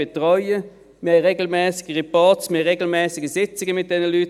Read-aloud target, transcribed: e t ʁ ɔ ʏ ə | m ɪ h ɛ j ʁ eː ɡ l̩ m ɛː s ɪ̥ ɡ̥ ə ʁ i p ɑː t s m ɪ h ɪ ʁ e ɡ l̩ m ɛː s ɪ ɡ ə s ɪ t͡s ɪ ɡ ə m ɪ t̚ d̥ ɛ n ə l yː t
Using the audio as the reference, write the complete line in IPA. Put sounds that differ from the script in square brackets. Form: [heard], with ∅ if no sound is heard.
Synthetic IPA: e t ʁ ɔ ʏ ə | m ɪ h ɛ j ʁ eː ɡ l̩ m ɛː s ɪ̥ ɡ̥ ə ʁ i p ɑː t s m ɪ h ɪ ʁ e ɡ l̩ m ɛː s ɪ ɡ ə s ɪ t͡s ɪ ɡ ə m ɪ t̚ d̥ ɛ n ə l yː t